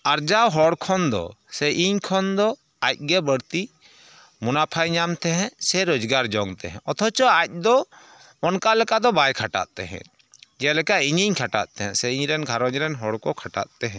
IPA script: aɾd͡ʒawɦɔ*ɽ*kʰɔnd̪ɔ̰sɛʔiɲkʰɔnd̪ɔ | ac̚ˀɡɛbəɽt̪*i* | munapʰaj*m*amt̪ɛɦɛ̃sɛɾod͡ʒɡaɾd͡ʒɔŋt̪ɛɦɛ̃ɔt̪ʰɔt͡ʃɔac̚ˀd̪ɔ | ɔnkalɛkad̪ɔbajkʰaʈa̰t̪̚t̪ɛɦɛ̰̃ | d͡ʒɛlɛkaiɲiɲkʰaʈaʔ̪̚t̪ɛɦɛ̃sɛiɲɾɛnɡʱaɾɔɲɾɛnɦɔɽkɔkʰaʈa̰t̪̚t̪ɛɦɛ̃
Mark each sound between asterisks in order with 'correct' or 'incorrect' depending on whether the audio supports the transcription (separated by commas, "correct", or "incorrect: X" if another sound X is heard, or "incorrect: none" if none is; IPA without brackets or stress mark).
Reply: correct, correct, incorrect: ɲ